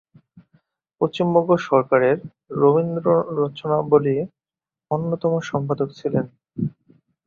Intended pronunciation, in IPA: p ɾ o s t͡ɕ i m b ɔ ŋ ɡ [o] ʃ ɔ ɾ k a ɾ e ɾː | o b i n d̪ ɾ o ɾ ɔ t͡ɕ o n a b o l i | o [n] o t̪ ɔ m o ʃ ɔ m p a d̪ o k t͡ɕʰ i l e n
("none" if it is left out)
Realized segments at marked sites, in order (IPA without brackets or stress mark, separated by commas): o, nː